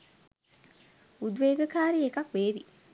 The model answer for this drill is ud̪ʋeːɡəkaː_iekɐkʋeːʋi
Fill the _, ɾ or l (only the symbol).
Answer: ɾ